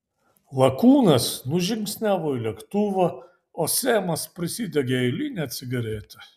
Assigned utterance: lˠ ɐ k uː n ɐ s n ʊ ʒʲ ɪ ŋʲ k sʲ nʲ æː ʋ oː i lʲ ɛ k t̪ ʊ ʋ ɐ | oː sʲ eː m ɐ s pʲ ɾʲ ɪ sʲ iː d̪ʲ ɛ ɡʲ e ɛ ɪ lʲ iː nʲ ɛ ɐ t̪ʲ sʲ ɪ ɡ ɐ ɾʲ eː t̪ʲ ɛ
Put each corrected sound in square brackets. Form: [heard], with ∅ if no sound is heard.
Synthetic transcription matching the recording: lˠ ɐ k uː n ɐ s n ʊ ʒʲ ɪ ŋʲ k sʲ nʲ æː ʋ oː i lʲ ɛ k t̪ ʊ ʋ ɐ | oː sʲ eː m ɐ s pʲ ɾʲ ɪ sʲ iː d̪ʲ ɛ ɡʲ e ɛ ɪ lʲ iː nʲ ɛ ɐ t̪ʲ sʲ ɪ ɡ ɐ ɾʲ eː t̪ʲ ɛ